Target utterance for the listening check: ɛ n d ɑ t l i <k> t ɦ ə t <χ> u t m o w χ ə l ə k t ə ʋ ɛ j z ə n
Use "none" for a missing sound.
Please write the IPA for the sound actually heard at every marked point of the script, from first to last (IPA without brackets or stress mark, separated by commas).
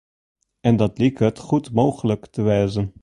k, χ